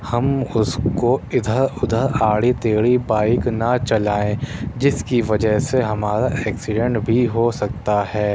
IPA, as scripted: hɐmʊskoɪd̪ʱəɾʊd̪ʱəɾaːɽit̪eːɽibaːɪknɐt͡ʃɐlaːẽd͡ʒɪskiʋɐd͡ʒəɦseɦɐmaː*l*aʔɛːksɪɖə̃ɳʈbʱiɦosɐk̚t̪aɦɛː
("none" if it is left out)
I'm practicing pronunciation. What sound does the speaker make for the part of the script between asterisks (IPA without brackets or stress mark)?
ɾ